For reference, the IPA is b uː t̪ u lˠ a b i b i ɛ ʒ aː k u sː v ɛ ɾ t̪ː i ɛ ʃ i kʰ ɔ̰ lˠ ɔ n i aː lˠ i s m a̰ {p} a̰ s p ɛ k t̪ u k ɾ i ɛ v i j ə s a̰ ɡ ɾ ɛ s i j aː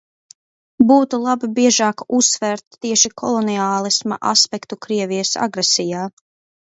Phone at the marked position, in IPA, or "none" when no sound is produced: ʔ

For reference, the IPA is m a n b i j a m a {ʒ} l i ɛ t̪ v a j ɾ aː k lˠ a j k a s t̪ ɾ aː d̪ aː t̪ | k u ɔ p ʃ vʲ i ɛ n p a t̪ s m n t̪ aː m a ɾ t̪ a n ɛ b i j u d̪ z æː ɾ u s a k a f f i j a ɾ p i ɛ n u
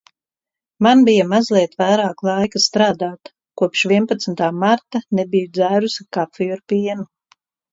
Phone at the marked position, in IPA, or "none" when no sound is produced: z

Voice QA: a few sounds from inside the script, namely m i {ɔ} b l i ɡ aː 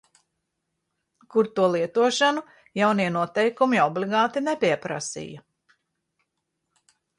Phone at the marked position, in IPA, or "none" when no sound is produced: ɔ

